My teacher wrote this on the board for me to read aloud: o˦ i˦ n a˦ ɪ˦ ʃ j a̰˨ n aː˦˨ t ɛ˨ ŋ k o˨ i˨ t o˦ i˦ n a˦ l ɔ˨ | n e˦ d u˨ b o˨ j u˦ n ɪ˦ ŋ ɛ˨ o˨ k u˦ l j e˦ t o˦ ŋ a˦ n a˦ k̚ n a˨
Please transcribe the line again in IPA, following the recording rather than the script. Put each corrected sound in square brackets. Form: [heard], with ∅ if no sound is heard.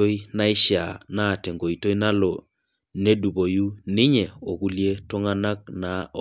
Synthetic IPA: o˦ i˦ n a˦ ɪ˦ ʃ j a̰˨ n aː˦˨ t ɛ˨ ŋ [ɡ] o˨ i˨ t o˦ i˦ n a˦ l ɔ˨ | n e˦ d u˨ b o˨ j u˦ n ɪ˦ [ɲ] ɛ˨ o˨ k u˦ l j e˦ t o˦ ŋ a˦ n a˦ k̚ n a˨